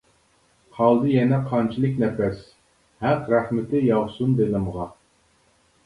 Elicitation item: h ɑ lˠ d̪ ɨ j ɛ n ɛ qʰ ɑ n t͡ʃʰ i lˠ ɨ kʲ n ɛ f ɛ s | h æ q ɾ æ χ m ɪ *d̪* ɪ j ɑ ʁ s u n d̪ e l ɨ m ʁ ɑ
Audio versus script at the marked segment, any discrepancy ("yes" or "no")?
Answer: yes